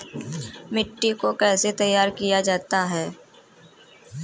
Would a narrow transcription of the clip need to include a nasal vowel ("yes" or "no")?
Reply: no